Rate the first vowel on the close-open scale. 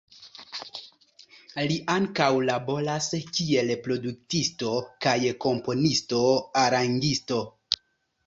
close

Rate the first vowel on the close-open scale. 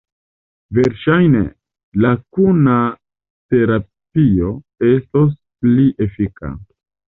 mid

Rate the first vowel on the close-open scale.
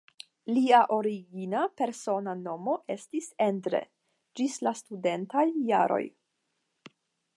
close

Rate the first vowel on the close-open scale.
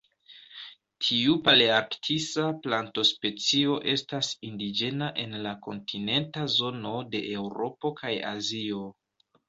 close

